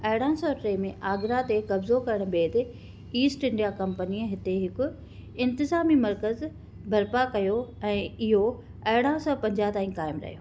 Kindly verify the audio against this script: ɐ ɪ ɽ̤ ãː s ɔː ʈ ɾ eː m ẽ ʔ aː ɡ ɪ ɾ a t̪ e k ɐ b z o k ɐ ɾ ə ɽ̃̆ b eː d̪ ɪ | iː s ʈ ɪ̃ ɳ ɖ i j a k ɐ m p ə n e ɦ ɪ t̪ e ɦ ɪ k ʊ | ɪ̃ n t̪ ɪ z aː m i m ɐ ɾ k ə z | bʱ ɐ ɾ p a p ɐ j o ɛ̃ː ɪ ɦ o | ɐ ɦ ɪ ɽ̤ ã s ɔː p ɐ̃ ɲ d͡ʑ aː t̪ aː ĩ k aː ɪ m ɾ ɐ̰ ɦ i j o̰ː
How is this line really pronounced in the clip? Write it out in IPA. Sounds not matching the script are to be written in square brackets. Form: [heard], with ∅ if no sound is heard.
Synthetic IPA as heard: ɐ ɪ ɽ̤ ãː s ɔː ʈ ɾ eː m ẽ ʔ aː ɡ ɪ ɾ a t̪ e k ɐ b z o k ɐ ɾ ə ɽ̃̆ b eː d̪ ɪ | iː s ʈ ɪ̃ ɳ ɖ i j a k ɐ m p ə n [i] ɦ ɪ t̪ e ɦ ɪ k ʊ | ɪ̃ n t̪ ɪ z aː m i m ɐ ɾ k ə z | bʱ ɐ ɾ p a [k] ɐ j o ɛ̃ː ɪ ɦ o | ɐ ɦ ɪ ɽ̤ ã s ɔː p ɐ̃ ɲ d͡ʑ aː t̪ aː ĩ k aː ɪ m ɾ ɐ̰ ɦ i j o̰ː